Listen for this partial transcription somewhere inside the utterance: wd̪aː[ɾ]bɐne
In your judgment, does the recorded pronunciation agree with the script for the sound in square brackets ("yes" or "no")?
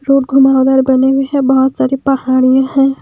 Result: yes